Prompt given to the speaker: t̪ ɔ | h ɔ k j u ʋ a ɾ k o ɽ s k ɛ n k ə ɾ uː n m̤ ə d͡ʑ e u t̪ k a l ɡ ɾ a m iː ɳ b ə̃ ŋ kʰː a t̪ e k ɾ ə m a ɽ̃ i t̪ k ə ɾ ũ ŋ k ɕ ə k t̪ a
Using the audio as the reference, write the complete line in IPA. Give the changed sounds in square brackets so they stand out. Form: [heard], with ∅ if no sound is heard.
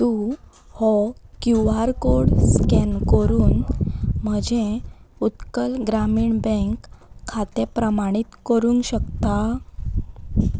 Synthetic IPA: t̪ [u] | h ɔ k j u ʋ a ɾ k o ɽ s k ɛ n k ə ɾ uː n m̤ ə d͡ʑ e u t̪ k [ə] l ɡ ɾ a m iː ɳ b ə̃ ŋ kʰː a t̪ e [p] ɾ ə m a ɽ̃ i t̪ k ə ɾ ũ ŋ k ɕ ə k t̪ a